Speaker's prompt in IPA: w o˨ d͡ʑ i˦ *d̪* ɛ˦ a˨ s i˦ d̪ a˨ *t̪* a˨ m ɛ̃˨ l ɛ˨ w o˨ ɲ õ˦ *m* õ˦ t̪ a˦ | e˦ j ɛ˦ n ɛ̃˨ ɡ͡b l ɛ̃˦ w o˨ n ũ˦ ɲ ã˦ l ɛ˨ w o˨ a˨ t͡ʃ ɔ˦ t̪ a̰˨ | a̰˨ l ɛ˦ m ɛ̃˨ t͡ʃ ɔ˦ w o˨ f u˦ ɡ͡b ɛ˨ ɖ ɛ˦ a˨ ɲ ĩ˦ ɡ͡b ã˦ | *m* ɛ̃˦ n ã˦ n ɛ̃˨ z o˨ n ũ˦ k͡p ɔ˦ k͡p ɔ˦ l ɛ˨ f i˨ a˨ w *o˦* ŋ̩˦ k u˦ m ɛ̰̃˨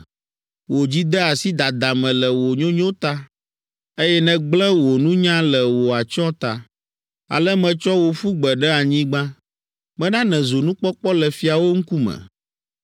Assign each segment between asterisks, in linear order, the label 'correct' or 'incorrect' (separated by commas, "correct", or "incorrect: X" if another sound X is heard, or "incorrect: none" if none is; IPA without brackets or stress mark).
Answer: correct, incorrect: d̪, incorrect: ɲ, correct, correct